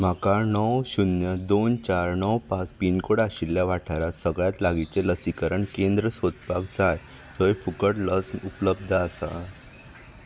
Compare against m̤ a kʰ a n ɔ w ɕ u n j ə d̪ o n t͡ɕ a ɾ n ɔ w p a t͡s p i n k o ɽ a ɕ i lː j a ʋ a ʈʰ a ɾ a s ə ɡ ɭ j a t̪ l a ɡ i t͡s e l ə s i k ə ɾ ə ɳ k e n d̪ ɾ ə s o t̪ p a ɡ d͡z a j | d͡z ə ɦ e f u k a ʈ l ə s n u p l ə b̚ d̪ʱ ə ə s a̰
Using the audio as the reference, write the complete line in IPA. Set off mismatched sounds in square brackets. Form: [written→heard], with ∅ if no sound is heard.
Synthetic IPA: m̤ a [kʰ→k] a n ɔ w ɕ u n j ə d̪ o n t͡ɕ a ɾ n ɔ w p a t͡s p i n k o ɽ a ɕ i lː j a ʋ a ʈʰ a ɾ a s ə ɡ ɭ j a t̪ l a ɡ i t͡s e l ə s i k ə ɾ ə ɳ k e n d̪ ɾ ə s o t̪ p a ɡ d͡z a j | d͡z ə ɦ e f u k [a→ə] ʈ l ə s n u p l ə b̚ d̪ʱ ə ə s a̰